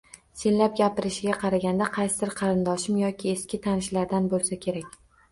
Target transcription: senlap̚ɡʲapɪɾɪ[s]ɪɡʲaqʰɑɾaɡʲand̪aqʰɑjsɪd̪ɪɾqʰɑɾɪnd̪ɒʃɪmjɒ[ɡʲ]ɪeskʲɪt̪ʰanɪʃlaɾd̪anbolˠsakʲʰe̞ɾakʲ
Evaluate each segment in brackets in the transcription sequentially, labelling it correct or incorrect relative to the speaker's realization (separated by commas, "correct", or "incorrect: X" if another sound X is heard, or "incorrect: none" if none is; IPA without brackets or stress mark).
incorrect: ʃ, incorrect: kʲ